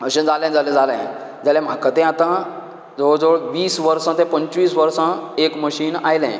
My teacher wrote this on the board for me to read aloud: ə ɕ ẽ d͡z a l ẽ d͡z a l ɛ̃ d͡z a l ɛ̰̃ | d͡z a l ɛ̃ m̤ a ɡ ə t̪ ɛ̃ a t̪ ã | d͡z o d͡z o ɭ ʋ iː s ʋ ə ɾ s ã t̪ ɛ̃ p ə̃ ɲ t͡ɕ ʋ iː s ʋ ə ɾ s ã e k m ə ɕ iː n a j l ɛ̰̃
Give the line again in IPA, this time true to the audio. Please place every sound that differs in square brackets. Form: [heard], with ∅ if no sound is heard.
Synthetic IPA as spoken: ə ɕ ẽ d͡z a l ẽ d͡z a l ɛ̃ d͡z a l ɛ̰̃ | d͡z a l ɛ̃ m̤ a [k] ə t̪ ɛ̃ a t̪ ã | d͡z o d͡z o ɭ ʋ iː s ʋ ə ɾ s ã t̪ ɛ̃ p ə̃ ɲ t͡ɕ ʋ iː s ʋ ə ɾ s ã e k m ə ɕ iː n a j l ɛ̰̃